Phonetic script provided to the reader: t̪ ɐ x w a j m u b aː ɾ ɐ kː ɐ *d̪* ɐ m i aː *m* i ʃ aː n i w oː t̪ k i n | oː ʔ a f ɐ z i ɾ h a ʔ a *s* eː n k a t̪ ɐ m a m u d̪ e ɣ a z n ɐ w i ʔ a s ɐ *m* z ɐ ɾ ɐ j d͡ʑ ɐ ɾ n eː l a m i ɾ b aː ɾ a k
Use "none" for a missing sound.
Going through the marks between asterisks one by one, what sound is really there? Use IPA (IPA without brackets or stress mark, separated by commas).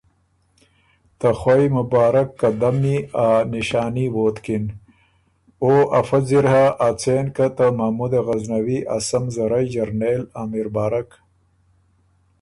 d̪, n, t͡s, m